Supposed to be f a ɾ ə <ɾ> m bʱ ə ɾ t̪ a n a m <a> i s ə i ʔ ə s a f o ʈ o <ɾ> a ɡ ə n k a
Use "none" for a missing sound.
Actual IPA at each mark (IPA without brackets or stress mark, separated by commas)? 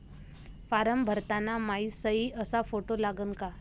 none, a, l